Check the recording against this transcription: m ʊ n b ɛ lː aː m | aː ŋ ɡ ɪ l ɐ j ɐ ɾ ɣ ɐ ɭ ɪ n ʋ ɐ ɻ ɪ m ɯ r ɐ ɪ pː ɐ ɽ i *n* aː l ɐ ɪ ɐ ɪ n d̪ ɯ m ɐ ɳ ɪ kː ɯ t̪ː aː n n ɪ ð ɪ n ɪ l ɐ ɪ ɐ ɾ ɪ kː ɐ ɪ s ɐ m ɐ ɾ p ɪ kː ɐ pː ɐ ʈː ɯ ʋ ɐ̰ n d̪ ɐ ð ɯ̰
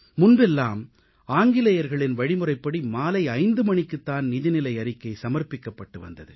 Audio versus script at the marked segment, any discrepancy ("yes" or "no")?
yes